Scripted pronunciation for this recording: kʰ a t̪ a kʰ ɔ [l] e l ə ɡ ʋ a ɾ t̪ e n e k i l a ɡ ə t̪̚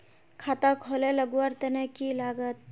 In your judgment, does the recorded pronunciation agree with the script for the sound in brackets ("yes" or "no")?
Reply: yes